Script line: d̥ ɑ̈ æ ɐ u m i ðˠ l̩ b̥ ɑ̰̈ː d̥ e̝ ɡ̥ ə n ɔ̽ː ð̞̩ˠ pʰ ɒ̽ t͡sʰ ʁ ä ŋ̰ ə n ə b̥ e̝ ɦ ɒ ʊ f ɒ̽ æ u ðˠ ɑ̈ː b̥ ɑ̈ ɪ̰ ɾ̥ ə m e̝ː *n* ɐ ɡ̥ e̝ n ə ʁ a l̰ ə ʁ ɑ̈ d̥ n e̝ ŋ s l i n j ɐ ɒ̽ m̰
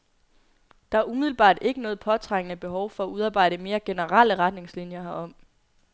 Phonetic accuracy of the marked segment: incorrect: none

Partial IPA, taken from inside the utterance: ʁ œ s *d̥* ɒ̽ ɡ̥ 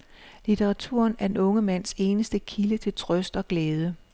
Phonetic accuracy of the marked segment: correct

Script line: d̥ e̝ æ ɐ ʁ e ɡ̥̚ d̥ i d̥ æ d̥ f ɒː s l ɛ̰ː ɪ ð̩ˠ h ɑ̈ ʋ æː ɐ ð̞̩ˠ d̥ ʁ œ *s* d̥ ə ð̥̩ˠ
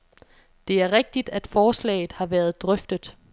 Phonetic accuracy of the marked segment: incorrect: f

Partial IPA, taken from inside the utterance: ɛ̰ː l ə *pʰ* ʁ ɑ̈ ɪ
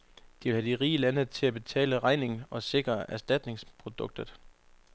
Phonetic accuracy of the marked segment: incorrect: none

